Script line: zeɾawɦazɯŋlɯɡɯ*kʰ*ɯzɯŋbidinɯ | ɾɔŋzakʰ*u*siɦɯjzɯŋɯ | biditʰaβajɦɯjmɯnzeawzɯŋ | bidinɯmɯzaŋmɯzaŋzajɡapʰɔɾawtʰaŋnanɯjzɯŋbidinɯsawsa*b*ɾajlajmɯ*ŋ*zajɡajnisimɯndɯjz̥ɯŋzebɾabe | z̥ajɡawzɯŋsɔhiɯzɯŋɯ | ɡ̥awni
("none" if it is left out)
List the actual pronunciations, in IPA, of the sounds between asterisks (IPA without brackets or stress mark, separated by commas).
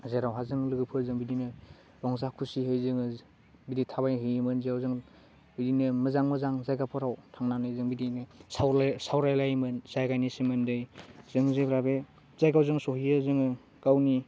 pʰ, u, w, n